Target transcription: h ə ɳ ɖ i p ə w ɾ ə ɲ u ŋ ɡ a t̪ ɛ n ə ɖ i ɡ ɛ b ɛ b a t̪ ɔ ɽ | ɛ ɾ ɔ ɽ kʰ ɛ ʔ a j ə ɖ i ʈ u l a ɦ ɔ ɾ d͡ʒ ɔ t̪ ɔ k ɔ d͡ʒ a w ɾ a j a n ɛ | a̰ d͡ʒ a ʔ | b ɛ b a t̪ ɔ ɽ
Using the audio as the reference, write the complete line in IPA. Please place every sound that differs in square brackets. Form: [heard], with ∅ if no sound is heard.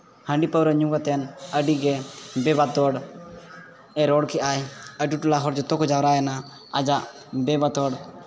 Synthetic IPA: h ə ɳ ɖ i p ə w ɾ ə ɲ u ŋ ɡ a t̪ ɛ n ə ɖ i ɡ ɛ b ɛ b a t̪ ɔ ɽ | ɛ ɾ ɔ ɽ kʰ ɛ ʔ a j ə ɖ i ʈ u l a ɦ ɔ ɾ d͡ʒ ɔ t̪ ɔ k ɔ d͡ʒ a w ɾ a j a n [a] | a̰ d͡ʒ a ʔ | b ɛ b a t̪ ɔ ɽ

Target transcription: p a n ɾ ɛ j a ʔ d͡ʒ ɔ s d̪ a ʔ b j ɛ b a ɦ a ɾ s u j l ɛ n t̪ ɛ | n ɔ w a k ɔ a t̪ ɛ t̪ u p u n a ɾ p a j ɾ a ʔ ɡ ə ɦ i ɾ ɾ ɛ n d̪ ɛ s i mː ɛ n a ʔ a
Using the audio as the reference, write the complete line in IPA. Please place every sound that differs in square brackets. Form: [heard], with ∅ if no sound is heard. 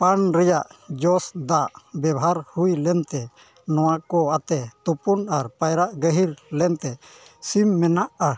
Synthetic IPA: p a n ɾ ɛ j a ʔ d͡ʒ ɔ s d̪ a ʔ b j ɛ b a ɦ a ɾ [h] u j l ɛ n t̪ ɛ | n ɔ w a k ɔ a t̪ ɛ t̪ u p u n a ɾ p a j ɾ a ʔ ɡ ə ɦ i ɾ [l] ɛ n [t̪] ɛ s i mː ɛ n a ʔ a

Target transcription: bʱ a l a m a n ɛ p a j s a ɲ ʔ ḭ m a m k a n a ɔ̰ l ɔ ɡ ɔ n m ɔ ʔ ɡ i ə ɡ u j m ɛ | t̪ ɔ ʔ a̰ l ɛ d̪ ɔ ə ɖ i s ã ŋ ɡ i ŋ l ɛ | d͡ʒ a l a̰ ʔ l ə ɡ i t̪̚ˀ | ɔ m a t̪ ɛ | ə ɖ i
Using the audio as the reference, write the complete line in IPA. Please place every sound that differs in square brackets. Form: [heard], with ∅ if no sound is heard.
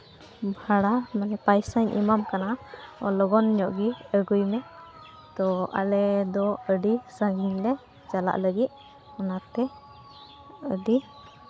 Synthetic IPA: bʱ a [ɽ] a m a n ɛ p a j s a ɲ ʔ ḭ m a m k a n a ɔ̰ l ɔ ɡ ɔ n [ɲ] ɔ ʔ ɡ i ə ɡ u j m ɛ | t̪ ɔ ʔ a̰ l ɛ d̪ ɔ ə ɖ i s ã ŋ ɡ i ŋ l ɛ | d͡ʒ a l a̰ ʔ l ə ɡ i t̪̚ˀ | ɔ [n] a t̪ ɛ | ə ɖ i

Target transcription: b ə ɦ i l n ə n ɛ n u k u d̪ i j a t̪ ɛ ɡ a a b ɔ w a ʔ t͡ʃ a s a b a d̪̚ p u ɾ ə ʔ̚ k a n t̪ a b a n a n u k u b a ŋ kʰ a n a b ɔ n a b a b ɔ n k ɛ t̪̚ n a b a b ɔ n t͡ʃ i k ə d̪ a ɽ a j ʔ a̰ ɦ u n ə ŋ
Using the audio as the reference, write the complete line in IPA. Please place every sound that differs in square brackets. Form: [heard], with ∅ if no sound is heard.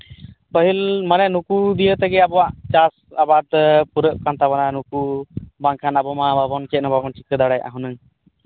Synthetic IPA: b ə ɦ i l [m] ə n ɛ n u k u d̪ i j [ə] t̪ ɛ ɡ [ɛ] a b ɔ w a ʔ t͡ʃ a s a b a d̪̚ p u ɾ ə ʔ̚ k a n t̪ a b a n a n u k u b a ŋ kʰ a n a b ɔ [m] a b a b ɔ n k ɛ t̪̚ n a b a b ɔ n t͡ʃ i k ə d̪ a ɽ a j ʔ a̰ ɦ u n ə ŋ

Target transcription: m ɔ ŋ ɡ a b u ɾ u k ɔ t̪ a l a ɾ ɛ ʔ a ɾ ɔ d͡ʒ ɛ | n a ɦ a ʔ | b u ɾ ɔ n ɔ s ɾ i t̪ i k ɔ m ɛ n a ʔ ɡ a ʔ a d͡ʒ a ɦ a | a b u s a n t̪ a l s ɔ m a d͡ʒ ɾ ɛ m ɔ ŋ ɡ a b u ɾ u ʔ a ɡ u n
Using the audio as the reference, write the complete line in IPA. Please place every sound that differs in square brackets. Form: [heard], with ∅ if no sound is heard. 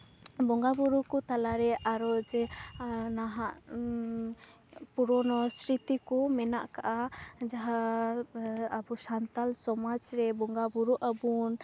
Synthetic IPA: [b] ɔ ŋ ɡ a b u ɾ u k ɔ t̪ a l a ɾ ɛ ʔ a ɾ ɔ d͡ʒ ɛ | n a ɦ a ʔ | [p] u ɾ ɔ n ɔ s ɾ i t̪ i k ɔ m ɛ n a ʔ [k] a ʔ a d͡ʒ a ɦ a | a b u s a n t̪ a l s ɔ m a d͡ʒ ɾ ɛ [b] ɔ ŋ ɡ a b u ɾ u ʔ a [b] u n

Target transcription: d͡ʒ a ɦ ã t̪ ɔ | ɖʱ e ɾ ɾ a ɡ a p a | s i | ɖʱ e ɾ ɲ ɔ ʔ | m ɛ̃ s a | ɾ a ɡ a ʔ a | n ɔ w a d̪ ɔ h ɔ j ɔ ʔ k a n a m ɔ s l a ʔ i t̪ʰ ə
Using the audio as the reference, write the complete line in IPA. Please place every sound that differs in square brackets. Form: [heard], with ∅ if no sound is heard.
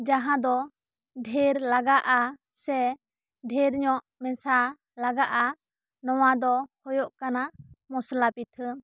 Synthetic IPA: d͡ʒ a ɦ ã [d̪] ɔ | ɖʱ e ɾ [l] a ɡ a [ʔ] a | s [ɛ] | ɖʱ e ɾ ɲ ɔ ʔ | m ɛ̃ s a | [l] a ɡ a ʔ a | n ɔ w a d̪ ɔ h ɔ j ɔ ʔ k a n a m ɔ s l a [p] i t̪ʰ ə

